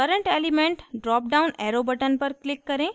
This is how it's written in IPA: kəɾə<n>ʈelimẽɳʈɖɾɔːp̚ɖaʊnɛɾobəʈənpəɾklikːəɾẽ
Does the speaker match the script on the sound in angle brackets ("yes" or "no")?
no